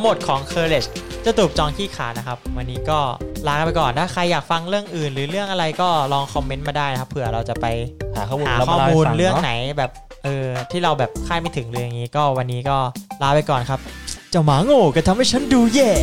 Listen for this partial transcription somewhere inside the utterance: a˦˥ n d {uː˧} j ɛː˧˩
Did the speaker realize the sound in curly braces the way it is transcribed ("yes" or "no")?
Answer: yes